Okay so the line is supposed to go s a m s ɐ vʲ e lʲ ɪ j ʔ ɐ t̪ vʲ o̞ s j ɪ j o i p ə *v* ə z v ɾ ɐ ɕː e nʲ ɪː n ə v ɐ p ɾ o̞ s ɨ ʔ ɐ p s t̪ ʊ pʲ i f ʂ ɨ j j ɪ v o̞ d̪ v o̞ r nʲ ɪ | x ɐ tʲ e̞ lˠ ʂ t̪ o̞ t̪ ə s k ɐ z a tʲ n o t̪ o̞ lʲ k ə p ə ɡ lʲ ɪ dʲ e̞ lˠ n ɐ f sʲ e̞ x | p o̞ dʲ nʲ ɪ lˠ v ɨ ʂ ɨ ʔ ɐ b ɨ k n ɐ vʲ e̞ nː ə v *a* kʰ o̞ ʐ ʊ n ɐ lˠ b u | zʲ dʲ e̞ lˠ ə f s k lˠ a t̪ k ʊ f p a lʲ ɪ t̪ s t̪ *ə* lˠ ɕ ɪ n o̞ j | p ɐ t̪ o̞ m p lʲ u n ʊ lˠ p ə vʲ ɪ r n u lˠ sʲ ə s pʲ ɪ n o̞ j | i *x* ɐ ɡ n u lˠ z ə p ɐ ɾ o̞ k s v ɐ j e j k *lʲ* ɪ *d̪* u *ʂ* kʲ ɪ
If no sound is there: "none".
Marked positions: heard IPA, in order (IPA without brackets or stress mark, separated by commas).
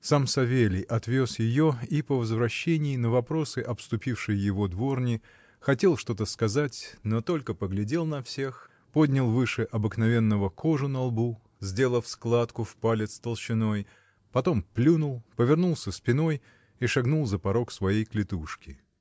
v, ə, ə, ʂ, lʲ, t̪, ʂ